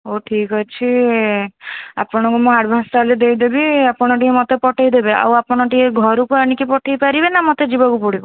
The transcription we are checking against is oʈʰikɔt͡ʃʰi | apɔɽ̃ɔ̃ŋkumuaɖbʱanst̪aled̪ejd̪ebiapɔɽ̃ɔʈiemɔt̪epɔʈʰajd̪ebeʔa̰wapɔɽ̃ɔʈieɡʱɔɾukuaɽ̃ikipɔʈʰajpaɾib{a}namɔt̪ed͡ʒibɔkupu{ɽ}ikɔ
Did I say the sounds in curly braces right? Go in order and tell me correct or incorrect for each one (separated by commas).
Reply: incorrect, correct